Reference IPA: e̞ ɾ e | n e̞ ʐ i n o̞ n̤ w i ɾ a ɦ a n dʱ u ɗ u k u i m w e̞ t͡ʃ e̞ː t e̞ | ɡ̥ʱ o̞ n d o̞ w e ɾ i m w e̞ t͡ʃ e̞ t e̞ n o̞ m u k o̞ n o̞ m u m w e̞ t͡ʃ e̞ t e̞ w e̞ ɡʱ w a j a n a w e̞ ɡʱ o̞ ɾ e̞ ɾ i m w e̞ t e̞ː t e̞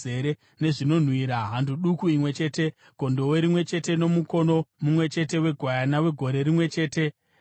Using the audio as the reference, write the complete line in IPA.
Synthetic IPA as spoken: e̞ ɾ e | n e̞ ʐ i n o̞ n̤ w i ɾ a ɦ a n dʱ u ɗ u k u i m w e̞ t͡ʃ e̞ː t e̞ | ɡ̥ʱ o̞ n d o̞ w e ɾ i m w e̞ t͡ʃ e̞ t e̞ n o̞ m u k o̞ n o̞ m u m w e̞ t͡ʃ e̞ t e̞ w e̞ ɡʱ w a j a n a w e̞ ɡʱ o̞ ɾ e̞ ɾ i m w e̞ t͡ʃ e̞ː t e̞